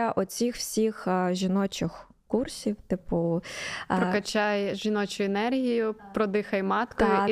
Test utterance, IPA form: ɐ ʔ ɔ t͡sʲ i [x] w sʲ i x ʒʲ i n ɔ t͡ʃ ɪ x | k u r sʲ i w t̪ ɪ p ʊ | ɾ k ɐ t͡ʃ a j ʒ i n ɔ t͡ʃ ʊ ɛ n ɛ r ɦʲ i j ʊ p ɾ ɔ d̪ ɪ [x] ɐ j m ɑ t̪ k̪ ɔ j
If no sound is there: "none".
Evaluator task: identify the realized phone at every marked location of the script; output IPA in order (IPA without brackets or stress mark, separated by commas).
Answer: x, x